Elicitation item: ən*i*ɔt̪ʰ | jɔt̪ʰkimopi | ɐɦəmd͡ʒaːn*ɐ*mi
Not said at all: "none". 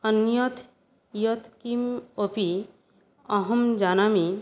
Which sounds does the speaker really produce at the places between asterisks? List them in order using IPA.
j, a

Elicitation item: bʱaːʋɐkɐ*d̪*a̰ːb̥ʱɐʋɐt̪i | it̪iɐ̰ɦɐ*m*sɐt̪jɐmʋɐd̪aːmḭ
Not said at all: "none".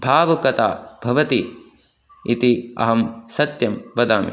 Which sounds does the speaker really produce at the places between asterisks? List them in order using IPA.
t̪, m

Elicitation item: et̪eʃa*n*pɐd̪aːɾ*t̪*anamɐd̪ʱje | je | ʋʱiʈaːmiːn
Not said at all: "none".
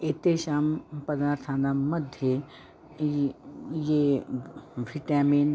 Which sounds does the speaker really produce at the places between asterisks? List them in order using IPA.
m, t̪ʰ

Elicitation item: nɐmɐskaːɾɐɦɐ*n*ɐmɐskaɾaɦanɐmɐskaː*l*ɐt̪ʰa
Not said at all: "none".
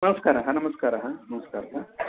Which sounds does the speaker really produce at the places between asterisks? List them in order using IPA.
n, ɾ

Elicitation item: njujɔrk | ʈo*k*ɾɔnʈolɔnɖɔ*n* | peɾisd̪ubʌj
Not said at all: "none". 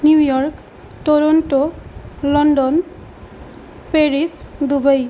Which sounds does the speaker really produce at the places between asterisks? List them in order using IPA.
none, n

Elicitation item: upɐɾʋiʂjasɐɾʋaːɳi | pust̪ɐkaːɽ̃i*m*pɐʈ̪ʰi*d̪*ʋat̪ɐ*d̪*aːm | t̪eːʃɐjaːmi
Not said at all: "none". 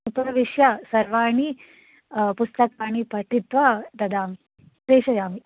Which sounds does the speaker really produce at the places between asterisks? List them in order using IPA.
none, t̪, d̪

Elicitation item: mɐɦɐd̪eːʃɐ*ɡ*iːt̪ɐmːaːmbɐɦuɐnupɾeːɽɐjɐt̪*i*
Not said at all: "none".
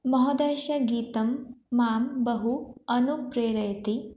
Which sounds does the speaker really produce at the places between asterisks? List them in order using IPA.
ɡ, i

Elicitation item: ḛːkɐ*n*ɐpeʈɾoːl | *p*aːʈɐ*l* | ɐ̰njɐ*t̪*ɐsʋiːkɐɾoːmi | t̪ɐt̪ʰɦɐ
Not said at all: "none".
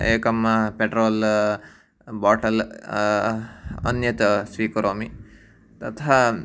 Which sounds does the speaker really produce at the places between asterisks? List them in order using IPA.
m, b, l, t̪

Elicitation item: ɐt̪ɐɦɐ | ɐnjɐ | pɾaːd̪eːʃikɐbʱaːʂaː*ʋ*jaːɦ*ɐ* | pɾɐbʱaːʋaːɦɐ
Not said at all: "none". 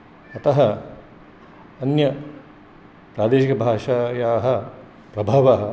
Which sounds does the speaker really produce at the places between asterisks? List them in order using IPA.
none, ɐ

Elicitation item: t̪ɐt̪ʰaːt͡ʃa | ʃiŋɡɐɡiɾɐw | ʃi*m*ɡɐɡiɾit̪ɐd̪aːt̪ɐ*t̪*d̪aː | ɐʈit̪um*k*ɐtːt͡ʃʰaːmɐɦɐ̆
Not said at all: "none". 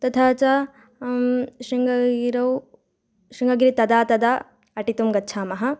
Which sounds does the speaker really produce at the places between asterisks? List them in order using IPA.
ŋ, none, ɡ

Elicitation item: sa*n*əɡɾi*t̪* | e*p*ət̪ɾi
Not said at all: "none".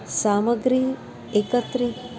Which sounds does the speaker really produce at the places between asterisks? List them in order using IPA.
m, none, k

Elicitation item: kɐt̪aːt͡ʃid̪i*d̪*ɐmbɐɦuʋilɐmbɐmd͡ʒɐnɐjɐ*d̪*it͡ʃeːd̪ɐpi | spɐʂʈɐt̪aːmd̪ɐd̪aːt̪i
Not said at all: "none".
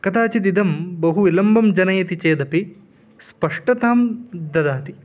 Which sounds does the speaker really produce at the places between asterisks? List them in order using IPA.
d̪, t̪

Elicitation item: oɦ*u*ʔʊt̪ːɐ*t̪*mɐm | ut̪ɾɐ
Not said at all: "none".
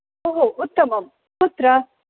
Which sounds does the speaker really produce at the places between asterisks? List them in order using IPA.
o, none

